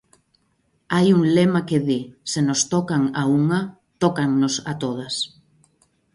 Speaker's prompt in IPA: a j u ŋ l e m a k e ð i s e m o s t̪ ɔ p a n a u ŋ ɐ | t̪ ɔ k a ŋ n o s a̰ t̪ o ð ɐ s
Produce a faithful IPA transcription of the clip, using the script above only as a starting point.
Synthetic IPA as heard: a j u ŋ l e m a k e ð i s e n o s t̪ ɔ k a ŋ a u ŋ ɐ | t̪ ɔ k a ŋ n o s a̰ t̪ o ð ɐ s